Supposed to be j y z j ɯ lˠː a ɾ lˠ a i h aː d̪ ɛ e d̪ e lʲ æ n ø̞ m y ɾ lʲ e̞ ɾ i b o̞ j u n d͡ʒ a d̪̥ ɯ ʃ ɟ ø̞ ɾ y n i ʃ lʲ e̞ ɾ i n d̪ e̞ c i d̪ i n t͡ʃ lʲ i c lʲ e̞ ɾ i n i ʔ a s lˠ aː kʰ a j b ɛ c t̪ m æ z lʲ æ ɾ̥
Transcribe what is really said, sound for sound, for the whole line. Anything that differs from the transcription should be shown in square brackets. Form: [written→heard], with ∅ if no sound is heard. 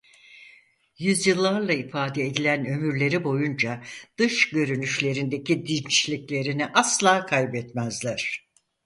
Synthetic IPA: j y z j ɯ lˠː a ɾ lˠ a i [h→f] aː d̪ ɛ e d̪ [e→i] lʲ æ n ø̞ m y ɾ lʲ e̞ ɾ i b o̞ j u n d͡ʒ a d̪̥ ɯ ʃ ɟ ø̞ ɾ y n [i→y] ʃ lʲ e̞ ɾ i n d̪ e̞ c i d̪ i n t͡ʃ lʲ i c lʲ e̞ ɾ i n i ʔ a s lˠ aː kʰ a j b ɛ [c→∅] t̪ m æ z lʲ æ ɾ̥